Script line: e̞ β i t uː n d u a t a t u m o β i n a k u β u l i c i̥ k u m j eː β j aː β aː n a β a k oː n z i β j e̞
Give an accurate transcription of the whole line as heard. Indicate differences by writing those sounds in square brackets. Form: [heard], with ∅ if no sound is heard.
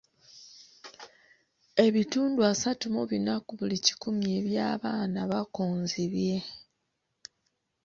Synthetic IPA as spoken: e̞ β i t uː n d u a [s] a t u m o β i n a k u β u l i c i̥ k u m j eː β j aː β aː n a β a k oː n z i β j e̞